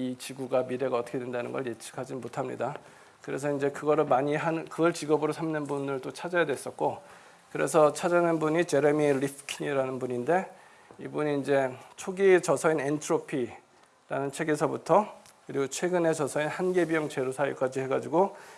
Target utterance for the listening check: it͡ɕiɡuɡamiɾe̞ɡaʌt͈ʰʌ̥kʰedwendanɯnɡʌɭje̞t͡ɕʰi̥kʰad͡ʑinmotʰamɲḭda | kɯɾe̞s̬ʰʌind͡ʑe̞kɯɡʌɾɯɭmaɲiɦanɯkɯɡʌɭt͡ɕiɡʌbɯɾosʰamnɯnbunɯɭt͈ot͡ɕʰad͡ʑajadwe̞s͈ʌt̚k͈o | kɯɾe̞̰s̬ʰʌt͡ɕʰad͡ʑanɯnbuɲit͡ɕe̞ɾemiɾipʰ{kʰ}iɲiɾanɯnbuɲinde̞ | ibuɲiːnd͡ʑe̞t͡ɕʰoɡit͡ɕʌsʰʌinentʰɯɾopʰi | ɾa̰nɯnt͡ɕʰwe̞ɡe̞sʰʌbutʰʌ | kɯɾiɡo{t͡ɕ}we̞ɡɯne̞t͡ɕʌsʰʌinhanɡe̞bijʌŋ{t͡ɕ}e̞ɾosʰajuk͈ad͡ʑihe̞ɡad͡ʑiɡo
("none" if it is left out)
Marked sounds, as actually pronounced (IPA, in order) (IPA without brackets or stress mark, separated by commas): kʰ, t͡ɕʰ, t͡ɕ